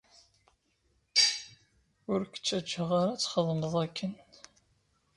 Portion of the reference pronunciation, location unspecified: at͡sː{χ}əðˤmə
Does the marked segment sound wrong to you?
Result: no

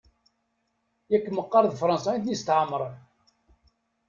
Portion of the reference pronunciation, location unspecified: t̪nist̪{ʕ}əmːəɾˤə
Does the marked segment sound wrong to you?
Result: no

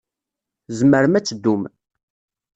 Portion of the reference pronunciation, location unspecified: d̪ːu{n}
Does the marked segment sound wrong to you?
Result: yes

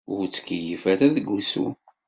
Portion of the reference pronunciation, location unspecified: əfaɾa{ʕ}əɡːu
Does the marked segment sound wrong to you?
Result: yes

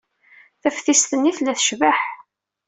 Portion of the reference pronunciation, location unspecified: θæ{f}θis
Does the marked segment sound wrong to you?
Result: no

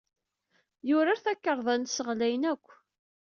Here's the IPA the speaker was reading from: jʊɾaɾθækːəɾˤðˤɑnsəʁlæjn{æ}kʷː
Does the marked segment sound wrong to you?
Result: no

